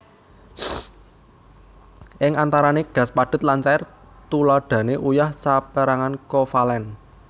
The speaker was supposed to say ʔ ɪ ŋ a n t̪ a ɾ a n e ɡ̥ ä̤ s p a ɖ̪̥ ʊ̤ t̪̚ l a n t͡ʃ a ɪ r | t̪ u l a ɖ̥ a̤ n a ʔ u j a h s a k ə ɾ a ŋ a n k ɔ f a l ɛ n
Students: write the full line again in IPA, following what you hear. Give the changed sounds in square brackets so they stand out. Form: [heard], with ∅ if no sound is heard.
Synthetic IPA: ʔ ɪ ŋ a n t̪ a ɾ a n e ɡ̥ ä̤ s p a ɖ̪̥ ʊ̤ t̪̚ l a n t͡ʃ a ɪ r | t̪ u l a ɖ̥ a̤ n [e] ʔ u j a h s a [p] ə ɾ a ŋ a n k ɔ f a l ɛ n